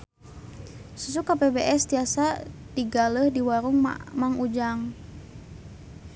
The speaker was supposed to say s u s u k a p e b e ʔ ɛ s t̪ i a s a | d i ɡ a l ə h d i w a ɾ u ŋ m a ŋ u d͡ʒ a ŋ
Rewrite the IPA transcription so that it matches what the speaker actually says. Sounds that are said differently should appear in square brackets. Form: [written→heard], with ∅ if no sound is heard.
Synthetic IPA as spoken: s u s u k a p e b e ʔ ɛ s t̪ i a s a | d i ɡ a l ə h d i w a ɾ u ŋ m a ŋ u d͡ʒ a ŋ